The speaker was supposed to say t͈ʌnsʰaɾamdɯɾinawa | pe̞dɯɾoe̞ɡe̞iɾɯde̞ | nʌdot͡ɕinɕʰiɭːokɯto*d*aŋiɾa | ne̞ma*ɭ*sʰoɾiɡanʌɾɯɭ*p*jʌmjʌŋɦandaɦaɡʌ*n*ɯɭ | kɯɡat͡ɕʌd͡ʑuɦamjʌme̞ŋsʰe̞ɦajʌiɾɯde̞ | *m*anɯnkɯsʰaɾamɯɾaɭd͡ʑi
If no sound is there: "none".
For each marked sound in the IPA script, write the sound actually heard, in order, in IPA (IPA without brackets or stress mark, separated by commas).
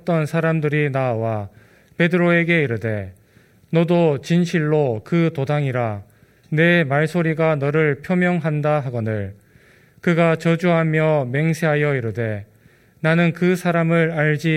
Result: d, ɭ, pʰ, n, n